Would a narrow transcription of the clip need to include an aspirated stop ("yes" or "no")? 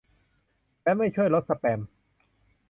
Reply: yes